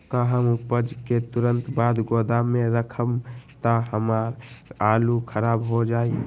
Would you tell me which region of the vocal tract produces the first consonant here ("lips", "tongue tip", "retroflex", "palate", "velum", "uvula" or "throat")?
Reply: velum